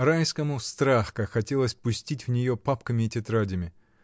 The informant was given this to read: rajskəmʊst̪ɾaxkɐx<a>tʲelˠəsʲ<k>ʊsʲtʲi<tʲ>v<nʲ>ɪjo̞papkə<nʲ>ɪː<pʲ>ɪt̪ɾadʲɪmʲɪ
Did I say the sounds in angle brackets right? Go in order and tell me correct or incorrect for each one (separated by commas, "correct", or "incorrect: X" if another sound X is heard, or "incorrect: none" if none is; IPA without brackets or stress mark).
incorrect: ɐ, incorrect: p, correct, correct, incorrect: mʲ, incorrect: tʲ